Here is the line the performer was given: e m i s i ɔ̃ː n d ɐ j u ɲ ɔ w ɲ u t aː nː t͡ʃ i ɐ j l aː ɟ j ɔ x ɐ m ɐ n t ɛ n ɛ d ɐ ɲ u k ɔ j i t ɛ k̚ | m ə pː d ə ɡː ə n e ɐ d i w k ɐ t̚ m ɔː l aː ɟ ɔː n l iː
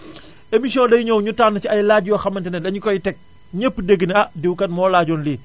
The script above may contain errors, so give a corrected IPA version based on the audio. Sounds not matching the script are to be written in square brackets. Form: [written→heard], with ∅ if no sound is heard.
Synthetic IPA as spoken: e m i s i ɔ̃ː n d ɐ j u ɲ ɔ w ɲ u t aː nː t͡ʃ i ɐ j l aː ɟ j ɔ x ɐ m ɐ n t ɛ n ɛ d ɐ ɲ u k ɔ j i t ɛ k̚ | [m→ɲ] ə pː d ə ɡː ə n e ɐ d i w k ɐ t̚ m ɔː l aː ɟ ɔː n l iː